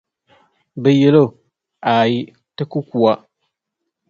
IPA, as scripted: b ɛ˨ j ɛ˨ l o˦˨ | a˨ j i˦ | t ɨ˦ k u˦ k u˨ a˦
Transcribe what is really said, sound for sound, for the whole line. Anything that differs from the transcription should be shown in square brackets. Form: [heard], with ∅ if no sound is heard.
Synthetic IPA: b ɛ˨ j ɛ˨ l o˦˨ | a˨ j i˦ | t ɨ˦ k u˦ k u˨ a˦